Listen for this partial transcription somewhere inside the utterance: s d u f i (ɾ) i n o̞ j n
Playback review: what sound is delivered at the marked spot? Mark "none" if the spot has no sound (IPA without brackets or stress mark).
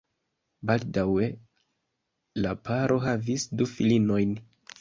l